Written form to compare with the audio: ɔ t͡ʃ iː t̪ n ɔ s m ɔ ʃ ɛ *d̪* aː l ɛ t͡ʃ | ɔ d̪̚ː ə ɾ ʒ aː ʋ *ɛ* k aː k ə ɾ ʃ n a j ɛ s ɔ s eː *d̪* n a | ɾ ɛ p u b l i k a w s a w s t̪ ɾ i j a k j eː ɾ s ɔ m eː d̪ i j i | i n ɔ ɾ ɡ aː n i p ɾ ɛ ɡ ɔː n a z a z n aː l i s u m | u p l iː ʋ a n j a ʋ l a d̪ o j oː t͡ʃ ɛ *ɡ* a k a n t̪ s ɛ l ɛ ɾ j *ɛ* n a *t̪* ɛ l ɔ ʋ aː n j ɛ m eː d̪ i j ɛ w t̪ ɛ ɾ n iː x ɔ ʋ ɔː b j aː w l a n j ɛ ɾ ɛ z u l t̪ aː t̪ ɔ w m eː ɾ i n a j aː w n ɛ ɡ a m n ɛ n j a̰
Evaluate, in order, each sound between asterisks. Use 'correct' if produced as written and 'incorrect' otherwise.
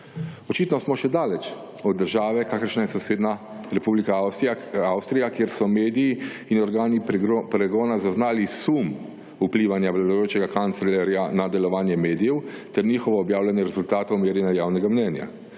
correct, correct, correct, correct, incorrect, incorrect

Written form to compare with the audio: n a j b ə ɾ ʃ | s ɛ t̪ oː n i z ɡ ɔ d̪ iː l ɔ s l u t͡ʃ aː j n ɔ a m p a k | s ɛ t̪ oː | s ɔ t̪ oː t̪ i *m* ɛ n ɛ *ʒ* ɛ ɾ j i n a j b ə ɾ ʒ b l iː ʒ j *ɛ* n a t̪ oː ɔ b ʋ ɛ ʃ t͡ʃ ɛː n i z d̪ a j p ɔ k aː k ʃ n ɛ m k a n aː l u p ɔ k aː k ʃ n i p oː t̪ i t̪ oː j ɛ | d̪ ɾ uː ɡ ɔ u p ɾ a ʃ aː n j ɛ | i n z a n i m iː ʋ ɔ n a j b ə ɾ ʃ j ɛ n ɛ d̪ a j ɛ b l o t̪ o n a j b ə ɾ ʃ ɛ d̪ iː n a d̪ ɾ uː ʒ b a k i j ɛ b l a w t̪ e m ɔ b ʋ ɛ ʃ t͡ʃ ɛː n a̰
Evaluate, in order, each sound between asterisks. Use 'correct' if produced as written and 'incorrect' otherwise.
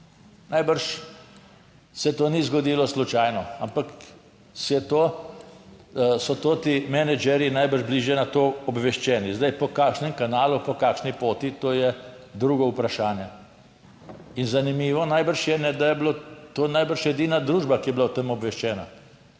correct, incorrect, correct

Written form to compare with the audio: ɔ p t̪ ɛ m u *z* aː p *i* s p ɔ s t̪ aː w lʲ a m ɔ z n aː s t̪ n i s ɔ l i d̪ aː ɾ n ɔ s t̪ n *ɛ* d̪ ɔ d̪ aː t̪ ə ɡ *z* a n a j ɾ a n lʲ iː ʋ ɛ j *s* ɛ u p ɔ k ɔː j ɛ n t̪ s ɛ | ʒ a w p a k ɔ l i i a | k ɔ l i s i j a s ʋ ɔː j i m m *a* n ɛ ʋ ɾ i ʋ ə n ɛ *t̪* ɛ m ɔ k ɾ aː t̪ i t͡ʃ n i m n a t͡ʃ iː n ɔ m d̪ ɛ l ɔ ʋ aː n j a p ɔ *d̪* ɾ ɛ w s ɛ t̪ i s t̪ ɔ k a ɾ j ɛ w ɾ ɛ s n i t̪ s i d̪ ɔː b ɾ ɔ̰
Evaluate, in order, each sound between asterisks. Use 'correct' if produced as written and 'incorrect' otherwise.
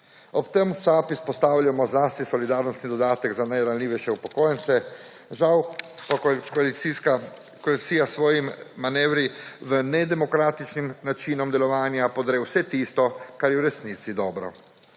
incorrect, correct, incorrect, correct, incorrect, correct, incorrect, correct

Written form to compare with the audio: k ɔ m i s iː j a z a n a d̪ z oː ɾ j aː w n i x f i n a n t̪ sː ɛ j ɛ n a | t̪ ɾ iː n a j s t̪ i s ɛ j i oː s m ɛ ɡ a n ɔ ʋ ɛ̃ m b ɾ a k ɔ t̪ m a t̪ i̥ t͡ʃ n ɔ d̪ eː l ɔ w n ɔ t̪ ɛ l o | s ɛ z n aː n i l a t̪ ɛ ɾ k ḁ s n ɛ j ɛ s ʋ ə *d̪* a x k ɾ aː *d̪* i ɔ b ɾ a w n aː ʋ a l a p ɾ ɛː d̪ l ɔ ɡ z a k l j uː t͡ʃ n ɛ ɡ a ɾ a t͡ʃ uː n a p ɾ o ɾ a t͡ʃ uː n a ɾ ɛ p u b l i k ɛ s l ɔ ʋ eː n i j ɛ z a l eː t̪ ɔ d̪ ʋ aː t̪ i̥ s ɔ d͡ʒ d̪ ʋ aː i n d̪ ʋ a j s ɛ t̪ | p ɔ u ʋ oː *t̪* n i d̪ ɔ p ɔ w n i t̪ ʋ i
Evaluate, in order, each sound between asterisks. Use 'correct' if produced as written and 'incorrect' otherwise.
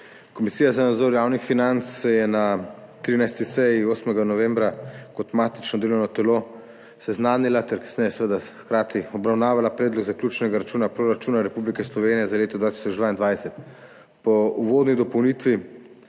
correct, incorrect, incorrect

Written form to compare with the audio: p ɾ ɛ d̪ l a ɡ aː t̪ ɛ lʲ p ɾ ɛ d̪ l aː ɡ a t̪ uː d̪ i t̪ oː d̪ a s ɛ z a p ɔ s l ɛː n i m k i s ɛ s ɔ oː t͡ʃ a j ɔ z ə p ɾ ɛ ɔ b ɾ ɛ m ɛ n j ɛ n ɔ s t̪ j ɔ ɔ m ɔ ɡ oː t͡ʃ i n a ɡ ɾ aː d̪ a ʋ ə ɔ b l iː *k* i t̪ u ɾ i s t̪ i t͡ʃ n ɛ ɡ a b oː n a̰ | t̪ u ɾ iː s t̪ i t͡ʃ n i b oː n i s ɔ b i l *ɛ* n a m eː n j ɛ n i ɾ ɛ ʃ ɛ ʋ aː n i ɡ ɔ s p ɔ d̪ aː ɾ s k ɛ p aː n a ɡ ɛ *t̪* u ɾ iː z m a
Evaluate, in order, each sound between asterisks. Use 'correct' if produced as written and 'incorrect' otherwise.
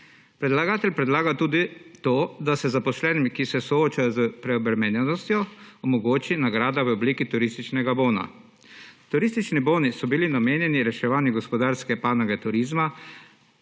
correct, incorrect, correct

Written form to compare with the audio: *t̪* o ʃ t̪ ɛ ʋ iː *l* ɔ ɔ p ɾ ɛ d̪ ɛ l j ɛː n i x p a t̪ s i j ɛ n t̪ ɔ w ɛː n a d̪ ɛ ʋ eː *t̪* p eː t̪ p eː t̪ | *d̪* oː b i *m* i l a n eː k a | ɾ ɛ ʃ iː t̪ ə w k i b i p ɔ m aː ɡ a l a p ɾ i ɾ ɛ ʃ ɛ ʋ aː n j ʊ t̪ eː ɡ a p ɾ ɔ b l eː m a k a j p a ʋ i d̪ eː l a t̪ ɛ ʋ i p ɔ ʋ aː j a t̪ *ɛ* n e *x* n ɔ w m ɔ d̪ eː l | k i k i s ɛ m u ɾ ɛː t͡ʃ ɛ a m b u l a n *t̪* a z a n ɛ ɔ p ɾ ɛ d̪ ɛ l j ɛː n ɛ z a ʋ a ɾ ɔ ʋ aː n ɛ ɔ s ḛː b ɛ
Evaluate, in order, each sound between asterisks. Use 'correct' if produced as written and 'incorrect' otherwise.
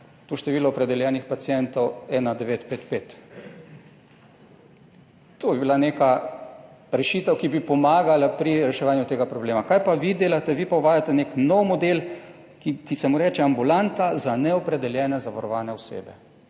correct, correct, correct, incorrect, incorrect, correct, incorrect, correct

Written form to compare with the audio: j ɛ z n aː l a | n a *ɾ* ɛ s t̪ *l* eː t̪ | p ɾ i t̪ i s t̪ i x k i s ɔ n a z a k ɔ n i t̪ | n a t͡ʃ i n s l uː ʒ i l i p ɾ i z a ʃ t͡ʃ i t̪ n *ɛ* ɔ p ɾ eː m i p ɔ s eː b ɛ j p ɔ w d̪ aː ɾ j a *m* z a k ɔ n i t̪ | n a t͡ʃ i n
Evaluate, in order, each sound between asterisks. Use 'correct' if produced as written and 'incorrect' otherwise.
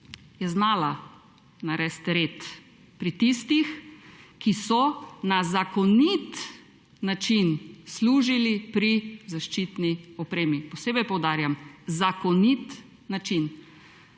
correct, incorrect, incorrect, correct

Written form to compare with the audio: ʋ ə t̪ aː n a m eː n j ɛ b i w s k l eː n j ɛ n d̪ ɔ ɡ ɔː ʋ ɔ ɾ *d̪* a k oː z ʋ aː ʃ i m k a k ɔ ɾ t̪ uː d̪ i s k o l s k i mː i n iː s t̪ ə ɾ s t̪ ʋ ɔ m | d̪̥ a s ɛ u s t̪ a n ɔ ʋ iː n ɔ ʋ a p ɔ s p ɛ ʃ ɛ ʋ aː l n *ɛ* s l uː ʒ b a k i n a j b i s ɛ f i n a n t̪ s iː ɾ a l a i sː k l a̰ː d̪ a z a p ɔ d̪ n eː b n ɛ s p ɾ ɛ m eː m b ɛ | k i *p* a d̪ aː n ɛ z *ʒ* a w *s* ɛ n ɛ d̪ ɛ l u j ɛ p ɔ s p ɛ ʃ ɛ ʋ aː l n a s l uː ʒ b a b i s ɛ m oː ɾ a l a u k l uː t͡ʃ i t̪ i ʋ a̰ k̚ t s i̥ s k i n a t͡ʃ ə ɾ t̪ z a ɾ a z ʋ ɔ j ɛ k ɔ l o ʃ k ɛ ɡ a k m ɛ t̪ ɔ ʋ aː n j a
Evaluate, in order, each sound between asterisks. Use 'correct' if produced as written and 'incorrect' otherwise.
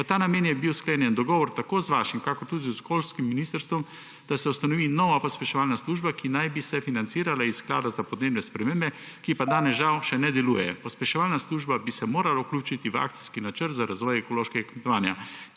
incorrect, incorrect, correct, correct, incorrect

